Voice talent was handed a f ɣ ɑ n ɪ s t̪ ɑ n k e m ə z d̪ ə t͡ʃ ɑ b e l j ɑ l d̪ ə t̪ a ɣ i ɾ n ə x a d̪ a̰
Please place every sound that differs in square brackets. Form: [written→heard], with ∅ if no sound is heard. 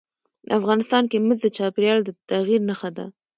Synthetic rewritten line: a f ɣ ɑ n ɪ s t̪ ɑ n k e m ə z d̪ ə t͡ʃ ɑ [b→p] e [l→ɾ] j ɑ l d̪ ə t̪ a ɣ i ɾ n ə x a d̪ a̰